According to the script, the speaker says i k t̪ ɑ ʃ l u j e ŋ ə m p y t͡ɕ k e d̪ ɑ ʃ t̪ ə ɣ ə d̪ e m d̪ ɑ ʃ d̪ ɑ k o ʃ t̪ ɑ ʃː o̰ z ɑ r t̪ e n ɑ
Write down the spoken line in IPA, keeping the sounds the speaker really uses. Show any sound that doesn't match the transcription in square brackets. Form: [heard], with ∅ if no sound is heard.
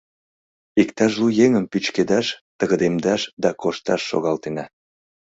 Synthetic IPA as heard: i k t̪ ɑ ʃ l u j e ŋ ə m p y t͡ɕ k e d̪ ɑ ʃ t̪ ə ɣ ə d̪ e m d̪ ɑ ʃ d̪ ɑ k o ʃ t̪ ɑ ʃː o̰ [ɣ] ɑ [l] t̪ e n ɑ